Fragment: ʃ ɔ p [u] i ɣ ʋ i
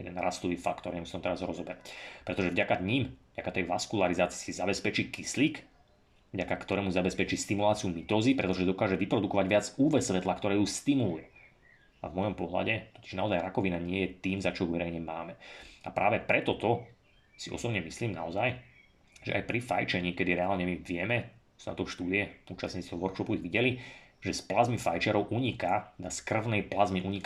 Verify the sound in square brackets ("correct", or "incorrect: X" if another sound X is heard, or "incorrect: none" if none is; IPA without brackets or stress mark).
correct